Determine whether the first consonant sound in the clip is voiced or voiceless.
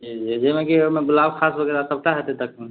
voiced